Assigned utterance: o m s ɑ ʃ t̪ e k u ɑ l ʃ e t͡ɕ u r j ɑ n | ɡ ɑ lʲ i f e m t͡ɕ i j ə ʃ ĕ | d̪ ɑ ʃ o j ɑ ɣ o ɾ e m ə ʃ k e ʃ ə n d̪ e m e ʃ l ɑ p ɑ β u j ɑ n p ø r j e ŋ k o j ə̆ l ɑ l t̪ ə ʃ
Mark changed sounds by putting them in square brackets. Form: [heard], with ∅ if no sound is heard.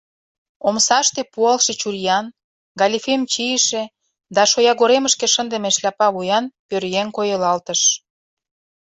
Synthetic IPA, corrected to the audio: o m s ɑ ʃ t̪ e [p] u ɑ l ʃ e t͡ɕ u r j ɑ n | ɡ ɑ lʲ i f e m t͡ɕ i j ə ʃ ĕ | d̪ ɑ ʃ o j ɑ ɣ o ɾ e m ə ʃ k e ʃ ə n d̪ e m e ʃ l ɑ p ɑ β u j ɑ n p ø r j e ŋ k o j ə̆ l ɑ l t̪ ə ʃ